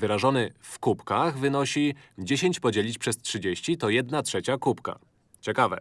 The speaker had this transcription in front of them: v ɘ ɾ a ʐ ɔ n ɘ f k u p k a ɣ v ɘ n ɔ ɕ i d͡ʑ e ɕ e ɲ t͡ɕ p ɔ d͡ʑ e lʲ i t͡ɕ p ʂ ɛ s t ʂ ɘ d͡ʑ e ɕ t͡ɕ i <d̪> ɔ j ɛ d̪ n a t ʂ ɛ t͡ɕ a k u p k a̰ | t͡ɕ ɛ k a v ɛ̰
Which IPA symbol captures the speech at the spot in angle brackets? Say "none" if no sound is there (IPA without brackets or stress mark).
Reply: t̪